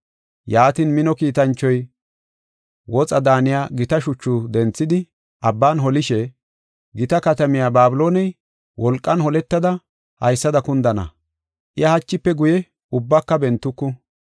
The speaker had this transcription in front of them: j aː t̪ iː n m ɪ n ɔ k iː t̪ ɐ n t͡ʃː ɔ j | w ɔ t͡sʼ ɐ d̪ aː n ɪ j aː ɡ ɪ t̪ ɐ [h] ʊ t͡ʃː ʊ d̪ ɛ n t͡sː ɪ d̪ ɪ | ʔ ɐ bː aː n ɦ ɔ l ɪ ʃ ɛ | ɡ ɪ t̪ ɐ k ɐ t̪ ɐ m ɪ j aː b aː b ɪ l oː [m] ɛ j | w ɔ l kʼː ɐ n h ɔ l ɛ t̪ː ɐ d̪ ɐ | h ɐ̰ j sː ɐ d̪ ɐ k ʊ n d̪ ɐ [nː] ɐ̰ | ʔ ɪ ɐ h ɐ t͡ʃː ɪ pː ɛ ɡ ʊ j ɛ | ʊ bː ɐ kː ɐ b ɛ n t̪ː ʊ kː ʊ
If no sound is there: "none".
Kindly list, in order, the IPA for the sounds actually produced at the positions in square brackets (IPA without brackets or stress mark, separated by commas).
ʃ, n, n